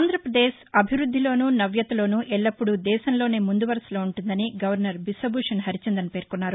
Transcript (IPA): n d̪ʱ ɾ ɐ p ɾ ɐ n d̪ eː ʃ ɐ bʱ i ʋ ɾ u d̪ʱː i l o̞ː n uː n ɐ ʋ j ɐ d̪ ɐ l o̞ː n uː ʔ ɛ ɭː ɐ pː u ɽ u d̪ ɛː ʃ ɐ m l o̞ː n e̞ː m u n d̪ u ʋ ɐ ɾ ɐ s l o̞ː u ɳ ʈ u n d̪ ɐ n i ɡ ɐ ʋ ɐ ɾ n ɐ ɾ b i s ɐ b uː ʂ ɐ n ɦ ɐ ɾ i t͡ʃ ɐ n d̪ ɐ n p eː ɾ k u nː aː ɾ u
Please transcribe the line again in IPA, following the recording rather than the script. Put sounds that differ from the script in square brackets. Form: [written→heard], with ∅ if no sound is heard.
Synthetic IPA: n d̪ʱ ɾ ɐ p ɾ ɐ [n→∅] d̪ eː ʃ ɐ bʱ i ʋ ɾ u d̪ʱː i l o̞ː n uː n ɐ ʋ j ɐ [d̪→t̪] ɐ l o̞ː n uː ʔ ɛ ɭː ɐ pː u ɽ u d̪ ɛː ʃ ɐ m l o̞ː n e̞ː m u n d̪ u ʋ ɐ ɾ ɐ s l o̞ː u ɳ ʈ u n d̪ ɐ n i ɡ ɐ ʋ ɐ ɾ n ɐ ɾ b i s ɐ b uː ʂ ɐ n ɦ ɐ ɾ i t͡ʃ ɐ n d̪ ɐ n p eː ɾ k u nː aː ɾ u

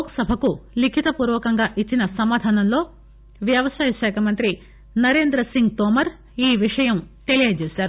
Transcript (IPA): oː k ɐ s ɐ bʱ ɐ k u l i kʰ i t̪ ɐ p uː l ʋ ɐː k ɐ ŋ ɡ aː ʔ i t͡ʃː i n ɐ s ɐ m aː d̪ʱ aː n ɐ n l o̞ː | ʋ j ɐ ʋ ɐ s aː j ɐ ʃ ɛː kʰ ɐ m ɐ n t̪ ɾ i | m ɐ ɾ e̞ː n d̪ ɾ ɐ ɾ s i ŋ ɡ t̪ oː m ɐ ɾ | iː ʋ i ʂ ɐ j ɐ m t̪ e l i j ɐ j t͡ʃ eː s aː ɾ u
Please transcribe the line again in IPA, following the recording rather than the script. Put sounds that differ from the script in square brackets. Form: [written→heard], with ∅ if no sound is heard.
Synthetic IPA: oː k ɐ s ɐ bʱ ɐ k u l i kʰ i t̪ ɐ p uː [l→ɾ] ʋ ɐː k ɐ ŋ ɡ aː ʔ i t͡ʃː i n ɐ s ɐ m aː d̪ʱ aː n ɐ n l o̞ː | ʋ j ɐ ʋ ɐ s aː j ɐ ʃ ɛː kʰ ɐ m ɐ n t̪ ɾ i | [m→n] ɐ ɾ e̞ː n d̪ ɾ ɐ [ɾ→∅] s i ŋ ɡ t̪ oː m ɐ ɾ | iː ʋ i ʂ ɐ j ɐ m t̪ e l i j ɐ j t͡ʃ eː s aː ɾ u

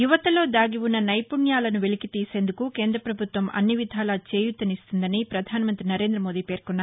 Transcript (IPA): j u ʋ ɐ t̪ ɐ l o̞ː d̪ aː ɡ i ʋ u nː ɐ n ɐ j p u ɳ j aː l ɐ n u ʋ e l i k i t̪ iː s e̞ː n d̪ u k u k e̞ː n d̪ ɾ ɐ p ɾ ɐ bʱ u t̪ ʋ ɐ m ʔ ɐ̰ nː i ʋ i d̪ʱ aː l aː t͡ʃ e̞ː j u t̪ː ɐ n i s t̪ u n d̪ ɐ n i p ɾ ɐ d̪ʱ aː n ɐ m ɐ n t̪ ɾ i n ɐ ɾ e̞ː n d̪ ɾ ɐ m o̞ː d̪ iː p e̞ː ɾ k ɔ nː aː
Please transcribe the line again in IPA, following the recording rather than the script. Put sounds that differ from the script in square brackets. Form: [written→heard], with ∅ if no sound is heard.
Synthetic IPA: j u ʋ ɐ t̪ ɐ l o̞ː d̪ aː ɡ i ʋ u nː ɐ n ɐ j p u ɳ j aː l ɐ n u ʋ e l i k i t̪ iː s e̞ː n d̪ u k u k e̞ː n d̪ ɾ ɐ p ɾ ɐ bʱ u t̪ ʋ ɐ m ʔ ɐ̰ nː i ʋ i d̪ʱ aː l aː t͡ʃ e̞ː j u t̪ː ɐ n i s t̪ u n d̪ ɐ n i p ɾ ɐ d̪ʱ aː n ɐ m ɐ n t̪ ɾ i n ɐ ɾ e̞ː n d̪ ɾ ɐ m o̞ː d̪ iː p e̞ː ɾ k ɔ nː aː

